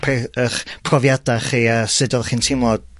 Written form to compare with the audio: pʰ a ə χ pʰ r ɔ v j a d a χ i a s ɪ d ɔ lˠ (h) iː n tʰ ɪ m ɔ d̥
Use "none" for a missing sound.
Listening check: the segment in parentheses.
χ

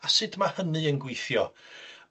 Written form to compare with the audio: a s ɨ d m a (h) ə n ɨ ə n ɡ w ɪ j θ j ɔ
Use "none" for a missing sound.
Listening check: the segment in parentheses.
h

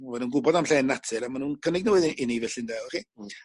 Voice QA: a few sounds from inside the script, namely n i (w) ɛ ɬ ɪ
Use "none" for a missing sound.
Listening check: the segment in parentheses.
v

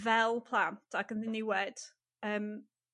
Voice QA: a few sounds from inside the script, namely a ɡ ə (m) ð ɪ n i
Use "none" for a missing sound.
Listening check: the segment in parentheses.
n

